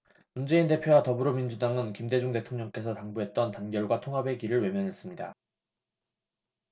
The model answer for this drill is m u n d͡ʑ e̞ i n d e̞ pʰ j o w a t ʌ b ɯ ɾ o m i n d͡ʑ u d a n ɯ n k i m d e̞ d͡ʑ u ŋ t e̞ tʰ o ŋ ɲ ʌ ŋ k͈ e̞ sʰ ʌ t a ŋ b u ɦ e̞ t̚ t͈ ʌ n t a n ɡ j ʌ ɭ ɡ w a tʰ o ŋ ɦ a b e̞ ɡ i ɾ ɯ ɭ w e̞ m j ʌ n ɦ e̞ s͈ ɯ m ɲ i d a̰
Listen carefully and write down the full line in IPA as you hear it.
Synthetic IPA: m u n d͡ʑ e̞ i n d e̞ pʰ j o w a t ʌ b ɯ ɾ o m i n d͡ʑ u d a ŋ ɯ n k i m d e̞ d͡ʑ u ŋ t e̞ tʰ o ŋ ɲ ʌ ŋ k͈ e̞ sʰ ʌ t a ŋ b u ɦ e̞ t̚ t͈ ʌ n t a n ɡ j ʌ ɭ ɡ w a tʰ o ŋ ɦ a b e̞ ɡ i ɾ ɯ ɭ w e̞ m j ʌ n ɦ e̞ s͈ ɯ m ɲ i d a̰